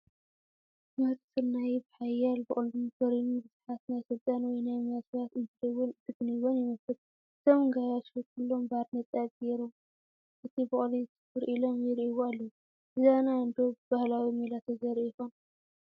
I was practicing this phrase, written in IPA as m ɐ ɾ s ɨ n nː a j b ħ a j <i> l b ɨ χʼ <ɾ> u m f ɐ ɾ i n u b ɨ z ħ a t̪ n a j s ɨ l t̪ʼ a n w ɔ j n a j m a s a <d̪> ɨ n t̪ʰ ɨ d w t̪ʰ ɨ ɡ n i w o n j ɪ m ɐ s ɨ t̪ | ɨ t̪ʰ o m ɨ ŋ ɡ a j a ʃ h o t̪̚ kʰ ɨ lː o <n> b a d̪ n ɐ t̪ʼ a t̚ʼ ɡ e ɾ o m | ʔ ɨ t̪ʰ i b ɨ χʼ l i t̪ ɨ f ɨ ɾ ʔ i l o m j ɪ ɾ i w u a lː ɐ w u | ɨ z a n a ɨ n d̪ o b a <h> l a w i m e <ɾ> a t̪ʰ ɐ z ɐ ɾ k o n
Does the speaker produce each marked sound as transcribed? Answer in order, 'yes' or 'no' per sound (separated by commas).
no, no, no, no, yes, no